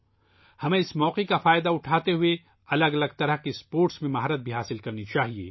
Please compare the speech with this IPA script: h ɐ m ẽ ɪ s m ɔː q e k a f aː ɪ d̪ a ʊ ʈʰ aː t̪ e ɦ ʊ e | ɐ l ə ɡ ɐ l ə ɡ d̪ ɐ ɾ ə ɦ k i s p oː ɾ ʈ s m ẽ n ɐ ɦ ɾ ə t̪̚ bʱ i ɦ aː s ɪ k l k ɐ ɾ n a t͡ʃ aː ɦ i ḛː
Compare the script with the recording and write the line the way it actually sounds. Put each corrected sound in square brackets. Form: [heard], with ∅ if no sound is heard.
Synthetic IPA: h ɐ m ẽ ɪ s m ɔː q e k a f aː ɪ d̪ a ʊ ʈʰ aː t̪ e ɦ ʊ e | ɐ l ə ɡ ɐ l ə ɡ [t̪] ɐ ɾ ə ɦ k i s p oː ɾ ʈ s m ẽ [m] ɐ ɦ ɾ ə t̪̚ bʱ i ɦ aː s ɪ [∅] l k ɐ ɾ n [i] t͡ʃ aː ɦ i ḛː